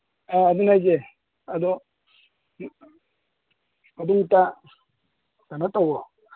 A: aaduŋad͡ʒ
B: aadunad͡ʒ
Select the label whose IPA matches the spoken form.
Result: B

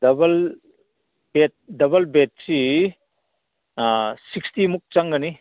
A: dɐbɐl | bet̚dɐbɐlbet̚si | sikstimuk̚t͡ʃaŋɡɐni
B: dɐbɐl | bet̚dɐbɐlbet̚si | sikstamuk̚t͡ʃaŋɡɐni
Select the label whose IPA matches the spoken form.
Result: A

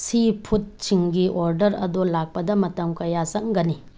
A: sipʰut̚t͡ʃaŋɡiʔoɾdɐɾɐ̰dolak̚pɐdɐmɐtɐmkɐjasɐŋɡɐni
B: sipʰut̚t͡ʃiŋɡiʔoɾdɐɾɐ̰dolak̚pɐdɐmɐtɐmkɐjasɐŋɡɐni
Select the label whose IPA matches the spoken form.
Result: B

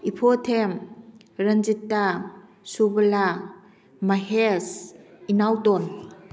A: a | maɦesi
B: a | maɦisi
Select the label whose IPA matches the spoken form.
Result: A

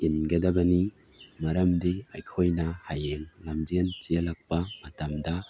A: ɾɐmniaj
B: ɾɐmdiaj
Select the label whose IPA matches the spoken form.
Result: B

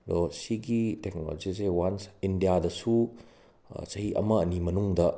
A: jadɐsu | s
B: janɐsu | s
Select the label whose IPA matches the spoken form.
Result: A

